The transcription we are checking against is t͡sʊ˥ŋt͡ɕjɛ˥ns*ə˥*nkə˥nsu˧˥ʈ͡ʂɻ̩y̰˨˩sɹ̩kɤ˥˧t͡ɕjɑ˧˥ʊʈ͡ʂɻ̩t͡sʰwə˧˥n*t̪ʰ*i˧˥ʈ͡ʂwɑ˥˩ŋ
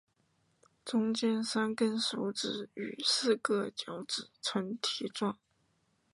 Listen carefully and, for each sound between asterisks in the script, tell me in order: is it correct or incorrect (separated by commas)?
incorrect, correct